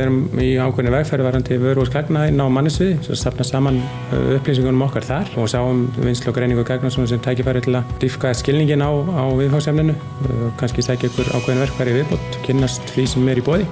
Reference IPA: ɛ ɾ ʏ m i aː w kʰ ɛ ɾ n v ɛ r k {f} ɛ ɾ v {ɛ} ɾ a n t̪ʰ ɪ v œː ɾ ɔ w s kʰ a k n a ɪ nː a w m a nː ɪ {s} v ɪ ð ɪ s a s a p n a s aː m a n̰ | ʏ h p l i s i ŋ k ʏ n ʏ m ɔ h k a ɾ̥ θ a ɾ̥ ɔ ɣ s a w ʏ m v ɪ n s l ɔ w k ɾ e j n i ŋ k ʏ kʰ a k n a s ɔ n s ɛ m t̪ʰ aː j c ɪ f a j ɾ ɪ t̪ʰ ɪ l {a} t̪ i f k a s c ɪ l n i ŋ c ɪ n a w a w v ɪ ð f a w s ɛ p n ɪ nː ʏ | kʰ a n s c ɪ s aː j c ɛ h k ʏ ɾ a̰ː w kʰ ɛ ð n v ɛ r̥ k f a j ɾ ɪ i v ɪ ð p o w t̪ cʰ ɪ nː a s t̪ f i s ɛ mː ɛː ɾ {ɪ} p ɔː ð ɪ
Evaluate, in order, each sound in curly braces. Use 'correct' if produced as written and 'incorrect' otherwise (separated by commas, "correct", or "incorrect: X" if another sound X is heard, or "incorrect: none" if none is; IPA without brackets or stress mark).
correct, incorrect: a, correct, correct, incorrect: i